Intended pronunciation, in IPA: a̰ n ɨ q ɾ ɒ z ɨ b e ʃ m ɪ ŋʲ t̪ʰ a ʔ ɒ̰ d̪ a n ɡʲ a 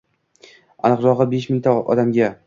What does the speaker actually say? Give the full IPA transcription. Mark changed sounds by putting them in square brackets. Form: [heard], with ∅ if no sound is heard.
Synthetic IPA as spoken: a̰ n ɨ q ɾ ɒ [ʁ] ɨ b e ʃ m ɪ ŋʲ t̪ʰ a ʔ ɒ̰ d̪ a [m] ɡʲ a

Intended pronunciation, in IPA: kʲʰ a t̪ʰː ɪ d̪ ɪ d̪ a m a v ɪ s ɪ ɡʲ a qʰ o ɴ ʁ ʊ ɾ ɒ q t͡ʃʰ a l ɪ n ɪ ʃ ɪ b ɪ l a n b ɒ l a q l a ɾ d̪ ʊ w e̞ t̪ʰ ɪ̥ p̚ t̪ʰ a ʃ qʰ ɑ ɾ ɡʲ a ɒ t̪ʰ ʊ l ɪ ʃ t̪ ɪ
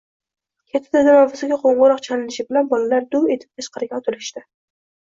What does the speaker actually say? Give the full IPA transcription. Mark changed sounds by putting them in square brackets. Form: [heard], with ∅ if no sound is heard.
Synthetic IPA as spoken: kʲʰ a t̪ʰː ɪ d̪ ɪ d̪ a m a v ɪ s ɪ ɡʲ a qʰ o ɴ ʁ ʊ ɾ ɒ q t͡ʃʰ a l ɪ n ɪ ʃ ɪ b ɪ l a n b ɒ l a [∅] l a ɾ d̪ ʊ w e̞ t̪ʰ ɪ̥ p̚ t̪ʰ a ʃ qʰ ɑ ɾ ɡʲ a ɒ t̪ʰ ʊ l ɪ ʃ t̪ ɪ

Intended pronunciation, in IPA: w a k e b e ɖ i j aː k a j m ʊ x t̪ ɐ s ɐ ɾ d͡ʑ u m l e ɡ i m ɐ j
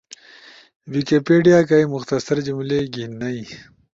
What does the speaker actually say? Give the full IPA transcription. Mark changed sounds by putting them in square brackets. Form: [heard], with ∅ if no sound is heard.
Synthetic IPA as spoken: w [i] k e [p] e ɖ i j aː k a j m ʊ x t̪ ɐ s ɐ ɾ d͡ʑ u m l e ɡ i [n] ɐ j

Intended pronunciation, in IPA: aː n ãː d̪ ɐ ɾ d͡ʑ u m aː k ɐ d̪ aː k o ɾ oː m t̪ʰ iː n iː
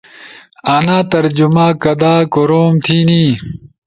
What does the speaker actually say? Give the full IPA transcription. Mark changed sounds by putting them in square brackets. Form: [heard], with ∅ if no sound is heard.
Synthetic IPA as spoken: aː n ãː [t̪] ɐ ɾ d͡ʑ u m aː k ɐ d̪ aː k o ɾ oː m t̪ʰ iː n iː

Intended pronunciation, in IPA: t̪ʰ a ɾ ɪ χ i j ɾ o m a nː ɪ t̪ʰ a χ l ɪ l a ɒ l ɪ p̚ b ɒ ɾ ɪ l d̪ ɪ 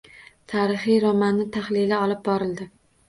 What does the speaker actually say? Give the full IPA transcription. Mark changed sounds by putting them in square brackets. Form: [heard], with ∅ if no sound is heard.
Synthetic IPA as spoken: t̪ʰ a ɾ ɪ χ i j ɾ [ɒ] m a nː ɪ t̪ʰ a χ l ɪ l a ɒ l ɪ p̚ b ɒ ɾ ɪ l d̪ ɪ

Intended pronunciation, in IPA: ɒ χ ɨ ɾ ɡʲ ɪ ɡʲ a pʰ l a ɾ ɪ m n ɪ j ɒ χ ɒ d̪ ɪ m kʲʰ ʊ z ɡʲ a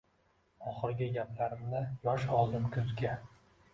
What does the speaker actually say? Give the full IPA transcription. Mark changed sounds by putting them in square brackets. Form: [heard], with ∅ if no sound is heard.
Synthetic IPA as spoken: ɒ χ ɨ ɾ ɡʲ ɪ ɡʲ a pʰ l a ɾ ɪ m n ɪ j ɒ [ʃ] ɒ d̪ ɪ m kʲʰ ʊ z ɡʲ a

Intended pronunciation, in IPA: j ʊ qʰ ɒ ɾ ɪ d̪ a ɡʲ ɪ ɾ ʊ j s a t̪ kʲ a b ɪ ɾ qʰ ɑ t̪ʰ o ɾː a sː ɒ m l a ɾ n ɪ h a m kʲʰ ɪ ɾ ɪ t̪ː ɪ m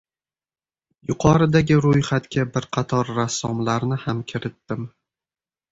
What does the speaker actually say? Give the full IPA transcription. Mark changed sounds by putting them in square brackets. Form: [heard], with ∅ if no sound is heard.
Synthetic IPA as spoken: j ʊ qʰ ɒ ɾ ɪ d̪ a ɡʲ ɪ ɾ ʊ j [χ] a t̪ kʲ a b ɪ ɾ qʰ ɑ t̪ʰ [ɒ] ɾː a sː ɒ m l a ɾ n ɪ h a m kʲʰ ɪ ɾ ɪ t̪ː ɪ m

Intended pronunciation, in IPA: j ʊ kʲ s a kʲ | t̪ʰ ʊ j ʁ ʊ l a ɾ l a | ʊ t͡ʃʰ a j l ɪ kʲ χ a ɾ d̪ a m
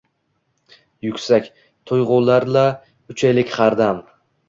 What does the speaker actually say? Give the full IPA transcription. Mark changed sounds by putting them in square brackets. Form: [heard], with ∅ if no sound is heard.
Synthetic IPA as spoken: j ʊ kʲ s a kʲ | t̪ʰ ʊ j ʁ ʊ l a ɾ l a | ʊ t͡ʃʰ a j l ɪ kʲ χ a ɾ d̪ a m

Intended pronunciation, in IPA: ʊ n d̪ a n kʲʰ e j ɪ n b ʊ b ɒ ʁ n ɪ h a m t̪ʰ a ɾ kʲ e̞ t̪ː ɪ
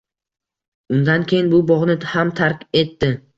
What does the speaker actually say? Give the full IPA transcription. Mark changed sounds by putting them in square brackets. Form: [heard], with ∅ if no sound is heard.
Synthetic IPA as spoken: ʊ n d̪ a n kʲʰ e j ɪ n b ʊ b ɒ ʁ n ɪ h a m t̪ʰ a ɾ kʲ e̞ t̪ː ɪ

